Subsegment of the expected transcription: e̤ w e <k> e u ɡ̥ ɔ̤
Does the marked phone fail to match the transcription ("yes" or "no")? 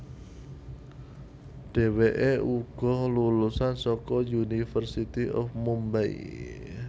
yes